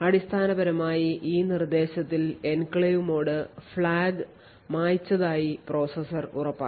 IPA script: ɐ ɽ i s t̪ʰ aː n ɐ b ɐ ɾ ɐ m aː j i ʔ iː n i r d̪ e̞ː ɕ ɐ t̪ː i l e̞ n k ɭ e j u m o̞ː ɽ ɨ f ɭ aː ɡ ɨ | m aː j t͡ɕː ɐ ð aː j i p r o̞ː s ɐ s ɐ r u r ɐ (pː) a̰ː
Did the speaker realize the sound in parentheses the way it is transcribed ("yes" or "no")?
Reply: yes